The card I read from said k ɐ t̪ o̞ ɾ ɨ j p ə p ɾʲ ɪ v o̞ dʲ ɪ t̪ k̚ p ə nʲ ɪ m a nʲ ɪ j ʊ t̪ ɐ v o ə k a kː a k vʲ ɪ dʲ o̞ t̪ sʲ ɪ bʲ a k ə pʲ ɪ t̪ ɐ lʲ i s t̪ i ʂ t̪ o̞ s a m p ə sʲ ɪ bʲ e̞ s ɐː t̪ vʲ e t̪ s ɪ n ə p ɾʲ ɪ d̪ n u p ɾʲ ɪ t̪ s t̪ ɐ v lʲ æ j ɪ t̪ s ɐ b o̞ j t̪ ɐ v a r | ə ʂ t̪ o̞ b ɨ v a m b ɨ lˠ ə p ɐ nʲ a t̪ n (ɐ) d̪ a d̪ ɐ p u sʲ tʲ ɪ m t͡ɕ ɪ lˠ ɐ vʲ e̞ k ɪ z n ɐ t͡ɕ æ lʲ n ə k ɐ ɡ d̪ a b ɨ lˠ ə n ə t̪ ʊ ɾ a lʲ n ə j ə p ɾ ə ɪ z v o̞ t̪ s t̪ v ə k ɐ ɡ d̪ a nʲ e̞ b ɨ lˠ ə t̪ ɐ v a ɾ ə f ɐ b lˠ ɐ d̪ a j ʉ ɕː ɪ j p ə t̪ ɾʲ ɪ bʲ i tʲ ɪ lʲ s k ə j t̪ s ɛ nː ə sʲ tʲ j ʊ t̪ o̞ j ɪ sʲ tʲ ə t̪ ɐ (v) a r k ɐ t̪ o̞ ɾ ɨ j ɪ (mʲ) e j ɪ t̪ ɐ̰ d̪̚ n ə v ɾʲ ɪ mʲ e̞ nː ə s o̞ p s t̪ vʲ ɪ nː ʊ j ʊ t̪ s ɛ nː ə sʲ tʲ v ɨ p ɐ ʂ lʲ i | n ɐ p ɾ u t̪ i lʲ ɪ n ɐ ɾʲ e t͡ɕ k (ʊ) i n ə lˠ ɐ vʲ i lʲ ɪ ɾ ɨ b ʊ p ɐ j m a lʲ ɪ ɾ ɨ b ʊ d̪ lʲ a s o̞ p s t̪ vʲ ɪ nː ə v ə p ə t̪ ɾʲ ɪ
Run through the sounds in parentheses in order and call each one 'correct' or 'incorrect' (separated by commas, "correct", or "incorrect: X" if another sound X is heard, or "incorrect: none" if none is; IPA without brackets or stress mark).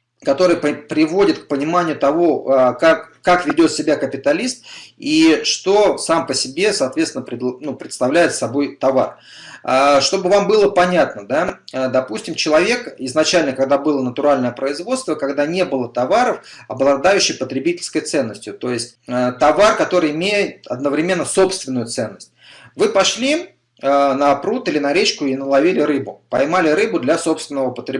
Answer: incorrect: ə, correct, correct, correct